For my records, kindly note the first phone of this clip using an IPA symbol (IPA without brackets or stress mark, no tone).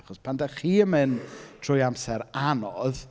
χ